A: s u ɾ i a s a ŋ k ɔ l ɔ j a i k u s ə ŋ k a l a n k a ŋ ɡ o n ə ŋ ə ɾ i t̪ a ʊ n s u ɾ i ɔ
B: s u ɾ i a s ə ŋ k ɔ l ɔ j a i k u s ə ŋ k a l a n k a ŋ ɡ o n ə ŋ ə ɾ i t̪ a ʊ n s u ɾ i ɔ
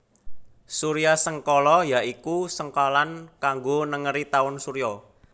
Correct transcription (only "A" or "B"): B